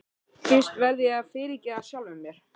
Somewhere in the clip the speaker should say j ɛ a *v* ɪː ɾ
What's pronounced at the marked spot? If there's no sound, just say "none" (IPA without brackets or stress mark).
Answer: f